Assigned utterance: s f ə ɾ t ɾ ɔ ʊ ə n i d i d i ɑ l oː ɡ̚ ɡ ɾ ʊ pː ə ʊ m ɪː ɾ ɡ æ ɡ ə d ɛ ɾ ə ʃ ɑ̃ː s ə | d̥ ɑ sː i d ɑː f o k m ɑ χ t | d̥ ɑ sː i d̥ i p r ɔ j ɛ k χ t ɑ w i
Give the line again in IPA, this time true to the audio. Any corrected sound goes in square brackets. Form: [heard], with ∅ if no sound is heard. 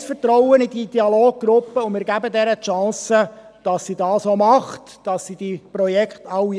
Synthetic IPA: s f ə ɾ t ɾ ɔ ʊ ə n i d i d i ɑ l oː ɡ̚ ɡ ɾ ʊ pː ə ʊ m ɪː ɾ ɡ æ [b] ə d ɛ ɾ ə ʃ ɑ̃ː s ə | d̥ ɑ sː i d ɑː [s] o [∅] m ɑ χ t | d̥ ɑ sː i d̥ i p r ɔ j ɛ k χ t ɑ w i